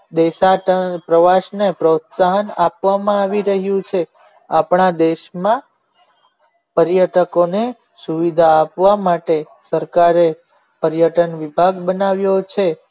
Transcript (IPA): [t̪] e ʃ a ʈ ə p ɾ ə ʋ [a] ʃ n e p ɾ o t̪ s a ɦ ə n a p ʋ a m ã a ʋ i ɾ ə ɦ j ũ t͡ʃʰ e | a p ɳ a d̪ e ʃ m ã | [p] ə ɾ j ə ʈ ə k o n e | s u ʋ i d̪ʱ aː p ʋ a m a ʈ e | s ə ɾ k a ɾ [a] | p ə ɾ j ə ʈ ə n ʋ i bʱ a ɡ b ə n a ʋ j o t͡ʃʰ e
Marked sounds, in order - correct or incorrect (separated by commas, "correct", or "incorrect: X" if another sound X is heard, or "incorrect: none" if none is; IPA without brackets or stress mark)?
incorrect: d̪, correct, correct, incorrect: e